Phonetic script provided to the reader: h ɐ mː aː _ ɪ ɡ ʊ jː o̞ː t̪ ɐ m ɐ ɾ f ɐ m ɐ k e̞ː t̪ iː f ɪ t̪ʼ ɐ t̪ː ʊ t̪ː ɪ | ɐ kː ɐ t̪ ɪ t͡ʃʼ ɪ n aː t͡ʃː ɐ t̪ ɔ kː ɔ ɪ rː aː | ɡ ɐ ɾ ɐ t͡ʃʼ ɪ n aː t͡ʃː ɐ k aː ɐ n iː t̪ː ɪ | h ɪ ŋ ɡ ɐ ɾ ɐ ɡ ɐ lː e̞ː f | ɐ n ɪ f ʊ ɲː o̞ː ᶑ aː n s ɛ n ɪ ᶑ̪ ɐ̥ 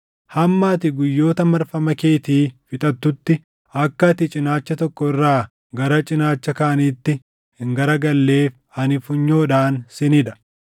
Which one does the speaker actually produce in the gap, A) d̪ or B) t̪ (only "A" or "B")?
B